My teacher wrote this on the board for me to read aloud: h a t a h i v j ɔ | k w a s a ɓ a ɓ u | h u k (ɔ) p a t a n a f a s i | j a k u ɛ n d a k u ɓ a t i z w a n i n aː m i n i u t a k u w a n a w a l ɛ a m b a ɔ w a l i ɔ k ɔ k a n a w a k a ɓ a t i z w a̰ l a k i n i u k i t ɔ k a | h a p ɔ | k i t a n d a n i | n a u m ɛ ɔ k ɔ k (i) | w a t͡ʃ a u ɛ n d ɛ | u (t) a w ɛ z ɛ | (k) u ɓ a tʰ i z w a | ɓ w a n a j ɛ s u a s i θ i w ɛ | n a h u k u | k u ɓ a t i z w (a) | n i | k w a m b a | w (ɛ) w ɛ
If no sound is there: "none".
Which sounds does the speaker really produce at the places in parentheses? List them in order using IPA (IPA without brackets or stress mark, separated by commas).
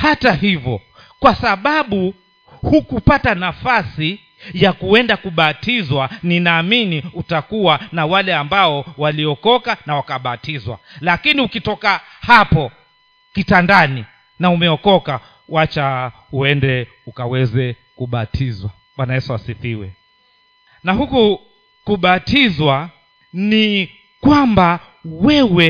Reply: u, a, k, k, a, ɛ